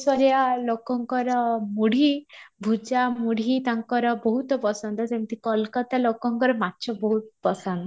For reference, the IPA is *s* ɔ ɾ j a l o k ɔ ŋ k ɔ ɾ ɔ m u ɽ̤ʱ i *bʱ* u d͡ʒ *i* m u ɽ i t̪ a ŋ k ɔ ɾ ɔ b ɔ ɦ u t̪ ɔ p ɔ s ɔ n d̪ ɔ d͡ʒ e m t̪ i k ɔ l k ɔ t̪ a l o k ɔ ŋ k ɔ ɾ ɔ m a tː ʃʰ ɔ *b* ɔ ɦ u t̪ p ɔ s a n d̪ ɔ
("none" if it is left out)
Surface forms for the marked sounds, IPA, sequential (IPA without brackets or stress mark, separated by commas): s, bʱ, a, b